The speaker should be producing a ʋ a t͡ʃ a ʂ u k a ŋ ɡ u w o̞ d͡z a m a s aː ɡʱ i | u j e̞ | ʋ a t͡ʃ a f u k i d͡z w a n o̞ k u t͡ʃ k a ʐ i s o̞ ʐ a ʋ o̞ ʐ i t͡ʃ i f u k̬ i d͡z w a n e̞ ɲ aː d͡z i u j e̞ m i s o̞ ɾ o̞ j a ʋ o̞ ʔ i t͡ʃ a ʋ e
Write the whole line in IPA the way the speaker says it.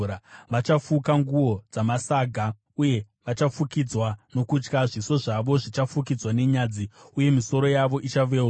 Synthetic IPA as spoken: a ʋ a t͡ʃ a f u k a ŋ ɡ u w o̞ d͡z a m a s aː ɡʱ a | u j e̞ | ʋ a t͡ʃ a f u k i d͡z w a n o̞ k u t͡ʃ k a ʐ i s o̞ ʐ a ʋ o̞ ʐ i t͡ʃ a f u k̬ i d͡z w a n e̞ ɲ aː d͡z i u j e̞ m i s o̞ ɾ o̞ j a ʋ o̞ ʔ i t͡ʃ a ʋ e